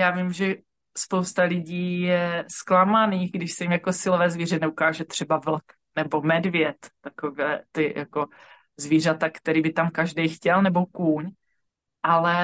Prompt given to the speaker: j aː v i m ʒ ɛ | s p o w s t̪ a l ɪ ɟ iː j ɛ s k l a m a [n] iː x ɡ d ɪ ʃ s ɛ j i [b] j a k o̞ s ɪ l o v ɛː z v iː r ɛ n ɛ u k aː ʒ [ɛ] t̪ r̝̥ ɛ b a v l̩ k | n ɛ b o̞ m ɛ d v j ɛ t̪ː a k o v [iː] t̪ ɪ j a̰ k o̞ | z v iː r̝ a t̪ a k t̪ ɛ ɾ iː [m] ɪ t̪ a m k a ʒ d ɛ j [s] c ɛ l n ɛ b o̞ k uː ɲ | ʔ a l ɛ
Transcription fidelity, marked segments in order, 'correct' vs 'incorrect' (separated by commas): correct, incorrect, correct, incorrect, incorrect, incorrect